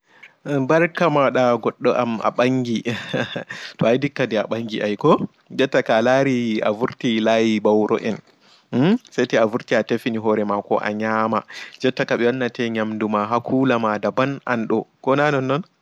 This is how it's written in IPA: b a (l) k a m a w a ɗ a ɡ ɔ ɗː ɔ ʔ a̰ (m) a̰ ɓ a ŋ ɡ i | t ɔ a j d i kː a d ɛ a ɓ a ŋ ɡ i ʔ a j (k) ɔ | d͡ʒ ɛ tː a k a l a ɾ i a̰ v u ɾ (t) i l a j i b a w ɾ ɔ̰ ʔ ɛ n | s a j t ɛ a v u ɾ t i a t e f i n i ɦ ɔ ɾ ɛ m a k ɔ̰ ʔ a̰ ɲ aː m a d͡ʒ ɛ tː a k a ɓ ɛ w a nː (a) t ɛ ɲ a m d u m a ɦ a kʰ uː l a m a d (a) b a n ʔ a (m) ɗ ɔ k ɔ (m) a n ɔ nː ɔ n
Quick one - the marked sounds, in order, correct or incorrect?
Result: incorrect, correct, correct, correct, correct, correct, incorrect, incorrect

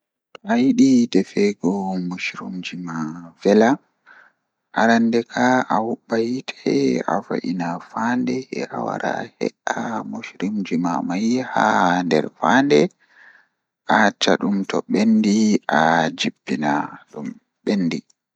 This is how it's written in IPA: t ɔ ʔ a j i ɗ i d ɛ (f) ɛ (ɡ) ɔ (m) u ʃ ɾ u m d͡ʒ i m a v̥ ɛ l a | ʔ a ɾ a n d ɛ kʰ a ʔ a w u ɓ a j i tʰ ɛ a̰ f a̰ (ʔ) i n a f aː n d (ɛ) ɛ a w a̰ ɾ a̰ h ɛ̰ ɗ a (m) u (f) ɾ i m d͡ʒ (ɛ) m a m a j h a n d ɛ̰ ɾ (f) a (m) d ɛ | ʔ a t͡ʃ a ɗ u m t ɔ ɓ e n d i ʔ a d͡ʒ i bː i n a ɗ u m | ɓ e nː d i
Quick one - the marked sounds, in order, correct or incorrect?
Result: correct, correct, correct, correct, correct, correct, incorrect, incorrect, correct, incorrect

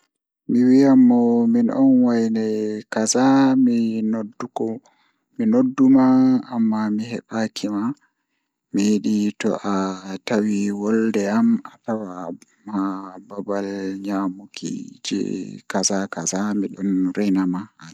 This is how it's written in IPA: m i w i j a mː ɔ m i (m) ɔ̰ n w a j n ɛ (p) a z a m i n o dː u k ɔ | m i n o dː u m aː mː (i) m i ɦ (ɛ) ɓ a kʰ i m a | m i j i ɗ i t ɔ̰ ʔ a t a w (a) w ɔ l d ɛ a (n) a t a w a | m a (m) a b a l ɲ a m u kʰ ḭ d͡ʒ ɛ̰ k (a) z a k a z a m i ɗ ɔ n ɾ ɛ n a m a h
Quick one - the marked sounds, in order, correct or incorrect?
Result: incorrect, incorrect, incorrect, correct, incorrect, incorrect, incorrect, correct

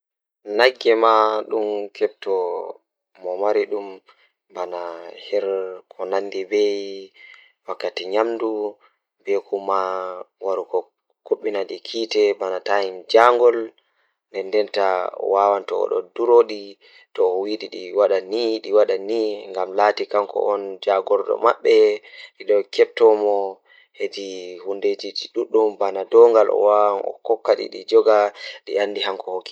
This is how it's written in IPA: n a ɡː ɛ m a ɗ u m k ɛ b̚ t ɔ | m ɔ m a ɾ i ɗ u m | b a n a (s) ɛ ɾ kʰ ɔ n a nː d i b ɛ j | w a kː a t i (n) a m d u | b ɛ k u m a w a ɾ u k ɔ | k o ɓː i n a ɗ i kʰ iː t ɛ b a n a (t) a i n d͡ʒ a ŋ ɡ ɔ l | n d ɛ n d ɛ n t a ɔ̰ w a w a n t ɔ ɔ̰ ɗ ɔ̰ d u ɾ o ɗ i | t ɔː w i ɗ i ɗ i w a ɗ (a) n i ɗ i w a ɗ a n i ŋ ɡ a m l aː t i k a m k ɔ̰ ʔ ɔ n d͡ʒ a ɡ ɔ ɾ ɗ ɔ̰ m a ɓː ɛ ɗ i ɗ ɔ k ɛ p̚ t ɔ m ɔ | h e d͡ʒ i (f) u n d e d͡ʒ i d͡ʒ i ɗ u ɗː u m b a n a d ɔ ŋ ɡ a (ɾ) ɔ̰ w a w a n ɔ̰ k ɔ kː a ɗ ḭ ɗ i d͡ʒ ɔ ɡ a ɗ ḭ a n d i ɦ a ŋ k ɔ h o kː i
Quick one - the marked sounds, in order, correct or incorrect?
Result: incorrect, incorrect, correct, correct, incorrect, incorrect

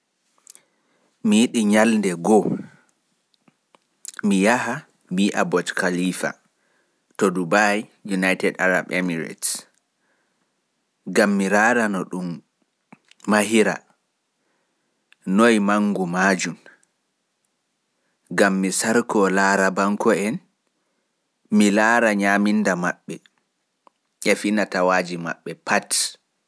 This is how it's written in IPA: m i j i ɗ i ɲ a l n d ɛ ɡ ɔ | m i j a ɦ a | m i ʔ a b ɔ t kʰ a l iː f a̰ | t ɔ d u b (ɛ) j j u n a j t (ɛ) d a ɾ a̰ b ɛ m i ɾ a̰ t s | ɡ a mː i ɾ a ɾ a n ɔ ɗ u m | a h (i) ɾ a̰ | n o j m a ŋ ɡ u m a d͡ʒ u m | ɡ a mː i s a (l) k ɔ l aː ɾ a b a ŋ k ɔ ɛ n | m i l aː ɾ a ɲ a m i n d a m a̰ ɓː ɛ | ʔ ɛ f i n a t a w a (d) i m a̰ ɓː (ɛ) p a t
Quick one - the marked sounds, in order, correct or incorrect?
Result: incorrect, correct, correct, incorrect, incorrect, correct

